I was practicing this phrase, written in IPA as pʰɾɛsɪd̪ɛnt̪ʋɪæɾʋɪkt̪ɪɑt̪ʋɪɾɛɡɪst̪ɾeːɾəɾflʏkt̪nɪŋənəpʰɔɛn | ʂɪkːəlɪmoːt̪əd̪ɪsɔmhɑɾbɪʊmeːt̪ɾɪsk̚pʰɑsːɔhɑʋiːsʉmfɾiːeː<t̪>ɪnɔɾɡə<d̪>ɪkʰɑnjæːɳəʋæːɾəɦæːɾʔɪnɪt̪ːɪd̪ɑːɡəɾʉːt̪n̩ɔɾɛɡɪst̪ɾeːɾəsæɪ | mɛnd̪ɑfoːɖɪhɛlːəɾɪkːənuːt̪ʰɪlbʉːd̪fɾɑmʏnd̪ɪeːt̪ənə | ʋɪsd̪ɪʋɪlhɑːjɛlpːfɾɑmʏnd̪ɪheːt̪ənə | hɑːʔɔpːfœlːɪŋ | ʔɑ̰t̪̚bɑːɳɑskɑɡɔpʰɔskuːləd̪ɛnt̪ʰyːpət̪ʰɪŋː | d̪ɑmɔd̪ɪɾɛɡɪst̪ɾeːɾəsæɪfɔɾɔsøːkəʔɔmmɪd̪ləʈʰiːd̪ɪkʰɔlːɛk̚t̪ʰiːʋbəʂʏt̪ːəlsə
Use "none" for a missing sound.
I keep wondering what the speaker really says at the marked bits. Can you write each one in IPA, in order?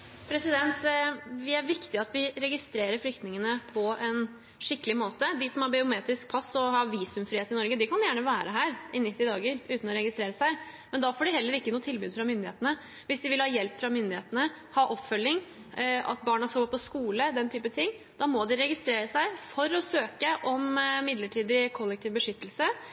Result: t̪, d̪

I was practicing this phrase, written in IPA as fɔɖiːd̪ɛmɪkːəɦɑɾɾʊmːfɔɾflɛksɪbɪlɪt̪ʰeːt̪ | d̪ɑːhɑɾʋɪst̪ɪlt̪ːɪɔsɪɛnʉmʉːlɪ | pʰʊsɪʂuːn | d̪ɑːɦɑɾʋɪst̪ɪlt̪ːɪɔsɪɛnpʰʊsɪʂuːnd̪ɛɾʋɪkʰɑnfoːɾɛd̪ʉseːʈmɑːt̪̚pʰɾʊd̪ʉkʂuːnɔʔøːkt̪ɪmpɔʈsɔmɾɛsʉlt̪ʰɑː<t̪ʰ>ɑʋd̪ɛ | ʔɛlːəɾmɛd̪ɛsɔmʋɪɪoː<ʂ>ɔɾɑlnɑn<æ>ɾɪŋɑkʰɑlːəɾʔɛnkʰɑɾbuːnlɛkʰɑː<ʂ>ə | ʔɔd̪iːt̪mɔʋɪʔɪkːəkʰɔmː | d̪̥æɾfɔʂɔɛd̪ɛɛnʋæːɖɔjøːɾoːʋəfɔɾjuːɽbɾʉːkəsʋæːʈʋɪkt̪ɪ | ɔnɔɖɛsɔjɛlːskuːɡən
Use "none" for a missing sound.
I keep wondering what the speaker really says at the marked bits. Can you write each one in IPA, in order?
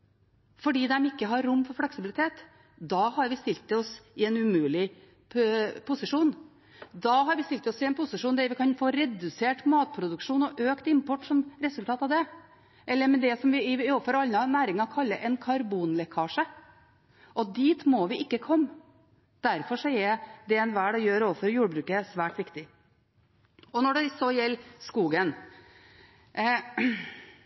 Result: t̪, f, æː, ʂ

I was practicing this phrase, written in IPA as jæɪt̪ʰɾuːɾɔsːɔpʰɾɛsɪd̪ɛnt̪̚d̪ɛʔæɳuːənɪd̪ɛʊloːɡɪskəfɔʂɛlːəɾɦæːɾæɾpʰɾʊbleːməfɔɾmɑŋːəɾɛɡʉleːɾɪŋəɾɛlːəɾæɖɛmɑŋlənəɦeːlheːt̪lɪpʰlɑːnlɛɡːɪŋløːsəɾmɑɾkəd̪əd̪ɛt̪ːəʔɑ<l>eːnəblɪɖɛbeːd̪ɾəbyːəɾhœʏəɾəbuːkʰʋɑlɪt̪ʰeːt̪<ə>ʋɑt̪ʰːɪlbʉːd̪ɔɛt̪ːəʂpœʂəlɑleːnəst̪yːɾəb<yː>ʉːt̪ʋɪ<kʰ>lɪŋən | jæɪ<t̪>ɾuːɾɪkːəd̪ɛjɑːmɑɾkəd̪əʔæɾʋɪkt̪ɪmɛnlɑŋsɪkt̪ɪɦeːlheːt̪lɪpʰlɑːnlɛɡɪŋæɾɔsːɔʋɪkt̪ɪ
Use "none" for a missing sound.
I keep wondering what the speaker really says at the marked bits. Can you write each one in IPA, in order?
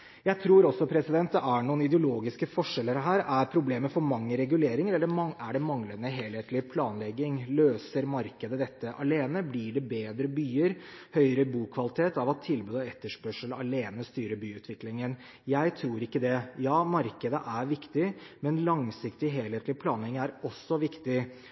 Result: l, ɑ, yː, k, t̪ʰ

